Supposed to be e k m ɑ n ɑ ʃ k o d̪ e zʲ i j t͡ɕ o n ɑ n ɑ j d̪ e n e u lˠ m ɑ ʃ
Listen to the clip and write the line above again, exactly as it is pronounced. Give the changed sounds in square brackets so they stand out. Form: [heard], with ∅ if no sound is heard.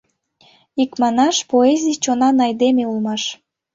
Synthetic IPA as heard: [i] k m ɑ n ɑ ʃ [p] o [∅] e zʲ i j t͡ɕ o n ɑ n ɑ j d̪ e [m] e u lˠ m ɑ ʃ